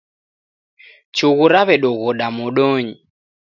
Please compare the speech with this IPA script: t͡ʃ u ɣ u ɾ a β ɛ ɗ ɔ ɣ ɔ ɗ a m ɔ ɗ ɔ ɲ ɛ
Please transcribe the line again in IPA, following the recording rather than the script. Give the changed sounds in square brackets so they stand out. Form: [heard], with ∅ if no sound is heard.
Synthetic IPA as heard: t͡ʃ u ɣ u ɾ a β ɛ ɗ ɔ ɣ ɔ ɗ a m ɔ ɗ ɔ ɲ [i]